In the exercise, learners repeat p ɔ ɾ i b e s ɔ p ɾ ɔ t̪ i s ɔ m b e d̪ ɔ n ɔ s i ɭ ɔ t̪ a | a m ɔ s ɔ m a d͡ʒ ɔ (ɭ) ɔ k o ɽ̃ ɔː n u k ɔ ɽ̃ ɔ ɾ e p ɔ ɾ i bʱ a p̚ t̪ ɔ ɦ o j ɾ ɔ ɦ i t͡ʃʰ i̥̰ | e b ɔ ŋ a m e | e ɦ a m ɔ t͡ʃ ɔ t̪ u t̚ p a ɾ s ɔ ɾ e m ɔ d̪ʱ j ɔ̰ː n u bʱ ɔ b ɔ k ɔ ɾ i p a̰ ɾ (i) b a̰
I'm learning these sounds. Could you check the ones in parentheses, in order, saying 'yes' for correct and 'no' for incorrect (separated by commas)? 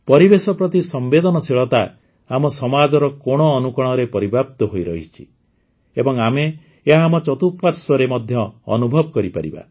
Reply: no, yes